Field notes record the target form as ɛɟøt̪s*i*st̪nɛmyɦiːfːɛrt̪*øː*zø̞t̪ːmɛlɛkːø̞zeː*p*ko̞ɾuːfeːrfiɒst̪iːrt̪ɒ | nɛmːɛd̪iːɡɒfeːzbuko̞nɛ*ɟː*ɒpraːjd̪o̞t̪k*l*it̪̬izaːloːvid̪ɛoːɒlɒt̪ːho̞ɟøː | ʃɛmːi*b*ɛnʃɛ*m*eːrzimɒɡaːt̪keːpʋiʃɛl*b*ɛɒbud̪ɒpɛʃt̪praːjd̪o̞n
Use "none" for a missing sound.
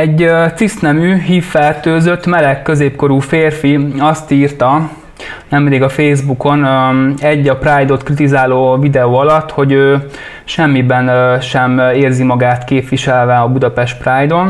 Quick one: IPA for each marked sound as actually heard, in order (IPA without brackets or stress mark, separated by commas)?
i, øː, p, ɟː, r, b, m, v